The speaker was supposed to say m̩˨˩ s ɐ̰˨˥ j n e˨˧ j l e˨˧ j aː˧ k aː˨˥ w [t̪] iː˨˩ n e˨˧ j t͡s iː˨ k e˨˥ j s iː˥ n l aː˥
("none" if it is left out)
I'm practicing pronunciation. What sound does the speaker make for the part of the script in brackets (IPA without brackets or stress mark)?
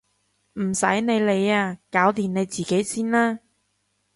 t̪